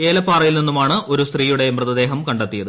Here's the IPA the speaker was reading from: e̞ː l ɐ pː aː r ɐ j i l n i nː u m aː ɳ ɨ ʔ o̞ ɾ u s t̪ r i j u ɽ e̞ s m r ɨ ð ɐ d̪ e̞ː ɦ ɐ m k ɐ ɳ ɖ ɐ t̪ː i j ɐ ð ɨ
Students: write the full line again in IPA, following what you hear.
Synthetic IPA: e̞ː l ɐ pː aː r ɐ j i l n i nː u m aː ɳ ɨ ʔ o̞ ɾ u s t̪ r iː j u ɽ e̞ m r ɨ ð ɐ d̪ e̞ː ɦ ɐ m k ɐ ɳ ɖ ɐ t̪ː i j ɐ ð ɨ